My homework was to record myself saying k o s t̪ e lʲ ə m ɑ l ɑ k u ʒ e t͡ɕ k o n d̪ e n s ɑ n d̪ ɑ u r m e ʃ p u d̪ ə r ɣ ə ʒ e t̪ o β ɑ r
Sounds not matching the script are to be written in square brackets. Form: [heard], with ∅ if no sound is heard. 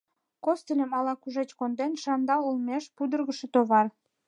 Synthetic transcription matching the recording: k o s t̪ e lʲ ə m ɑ l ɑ k u ʒ e t͡ɕ k o n d̪ e n [ʃ] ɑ n d̪ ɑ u [l] m e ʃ p u d̪ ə r ɣ ə [ʃ] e t̪ o β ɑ r